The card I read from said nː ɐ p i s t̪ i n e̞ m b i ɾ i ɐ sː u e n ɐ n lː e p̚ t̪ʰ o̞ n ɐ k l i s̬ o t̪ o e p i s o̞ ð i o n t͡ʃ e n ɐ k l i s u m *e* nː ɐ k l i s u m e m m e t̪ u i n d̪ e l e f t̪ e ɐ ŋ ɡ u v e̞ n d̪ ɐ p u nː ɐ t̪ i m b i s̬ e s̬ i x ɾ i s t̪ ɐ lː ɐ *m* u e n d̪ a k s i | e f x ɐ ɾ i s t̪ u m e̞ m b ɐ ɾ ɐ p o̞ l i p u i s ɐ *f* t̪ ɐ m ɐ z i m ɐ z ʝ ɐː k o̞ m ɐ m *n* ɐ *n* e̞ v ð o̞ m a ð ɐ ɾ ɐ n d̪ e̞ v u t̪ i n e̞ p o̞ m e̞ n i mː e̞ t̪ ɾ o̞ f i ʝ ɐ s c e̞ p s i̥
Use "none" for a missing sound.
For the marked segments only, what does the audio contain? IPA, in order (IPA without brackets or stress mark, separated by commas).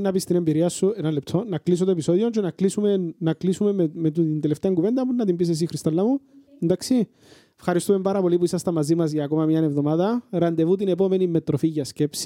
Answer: e, m, s, ɲ, n